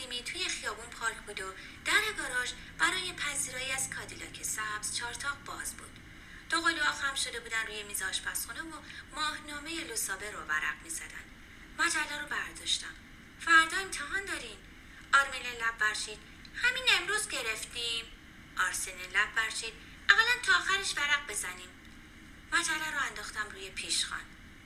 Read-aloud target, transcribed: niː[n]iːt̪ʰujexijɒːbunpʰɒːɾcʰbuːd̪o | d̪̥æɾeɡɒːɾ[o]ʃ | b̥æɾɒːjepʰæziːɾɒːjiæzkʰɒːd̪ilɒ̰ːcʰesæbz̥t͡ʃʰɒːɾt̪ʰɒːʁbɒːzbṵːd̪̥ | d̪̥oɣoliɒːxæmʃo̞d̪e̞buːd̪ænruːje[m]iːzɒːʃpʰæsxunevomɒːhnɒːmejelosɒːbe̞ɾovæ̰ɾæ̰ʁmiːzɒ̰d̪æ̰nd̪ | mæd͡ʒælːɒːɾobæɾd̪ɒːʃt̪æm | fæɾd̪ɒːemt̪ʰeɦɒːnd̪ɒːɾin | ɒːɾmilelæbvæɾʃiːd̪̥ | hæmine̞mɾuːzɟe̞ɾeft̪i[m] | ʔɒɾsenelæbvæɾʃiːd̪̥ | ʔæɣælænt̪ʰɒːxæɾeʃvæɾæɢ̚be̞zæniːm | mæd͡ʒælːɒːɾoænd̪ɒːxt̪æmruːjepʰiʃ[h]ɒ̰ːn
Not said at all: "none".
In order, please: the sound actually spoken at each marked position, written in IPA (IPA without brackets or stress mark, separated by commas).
m, ɒ, m, m, x